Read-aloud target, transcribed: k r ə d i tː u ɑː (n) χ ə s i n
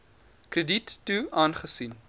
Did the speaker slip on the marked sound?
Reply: no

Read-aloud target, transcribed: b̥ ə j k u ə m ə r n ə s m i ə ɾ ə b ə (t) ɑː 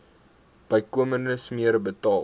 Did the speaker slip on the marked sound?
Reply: no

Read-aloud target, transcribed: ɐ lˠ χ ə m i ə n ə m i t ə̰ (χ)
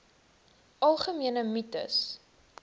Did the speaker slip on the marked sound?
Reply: yes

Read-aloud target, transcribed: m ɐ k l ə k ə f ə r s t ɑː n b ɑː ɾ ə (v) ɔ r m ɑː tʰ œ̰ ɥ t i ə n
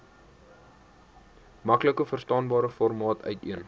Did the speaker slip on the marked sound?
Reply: yes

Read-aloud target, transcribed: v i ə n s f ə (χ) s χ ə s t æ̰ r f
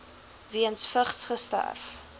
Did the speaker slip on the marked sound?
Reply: no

